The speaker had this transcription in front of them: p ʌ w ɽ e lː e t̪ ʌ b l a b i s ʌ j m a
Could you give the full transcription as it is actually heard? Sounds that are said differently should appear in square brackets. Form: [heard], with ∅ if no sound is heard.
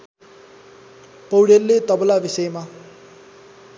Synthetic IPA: p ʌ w ɽ e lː e t̪ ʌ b l a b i s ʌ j m a